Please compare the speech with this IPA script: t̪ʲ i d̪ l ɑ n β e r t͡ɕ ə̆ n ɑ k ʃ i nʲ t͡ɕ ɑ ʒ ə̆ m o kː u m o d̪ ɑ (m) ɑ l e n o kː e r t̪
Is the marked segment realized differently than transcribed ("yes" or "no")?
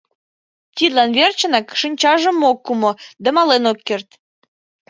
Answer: no